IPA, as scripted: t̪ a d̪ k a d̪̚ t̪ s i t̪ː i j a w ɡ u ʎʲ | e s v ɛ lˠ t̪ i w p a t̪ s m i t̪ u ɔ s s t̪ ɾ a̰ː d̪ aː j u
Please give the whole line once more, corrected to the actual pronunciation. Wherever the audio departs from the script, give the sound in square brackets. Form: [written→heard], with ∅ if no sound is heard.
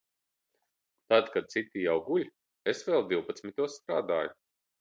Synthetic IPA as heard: t̪ a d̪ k a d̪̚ t̪ s i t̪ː i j a w ɡ u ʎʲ | e s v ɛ lˠ [t̪→d̪] i w p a t̪ s m i t̪ u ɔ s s t̪ ɾ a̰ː d̪ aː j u